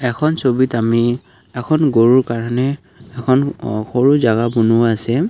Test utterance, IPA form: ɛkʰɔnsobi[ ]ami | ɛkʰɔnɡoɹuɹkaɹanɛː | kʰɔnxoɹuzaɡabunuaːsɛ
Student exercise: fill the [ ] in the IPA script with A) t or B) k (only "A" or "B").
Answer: A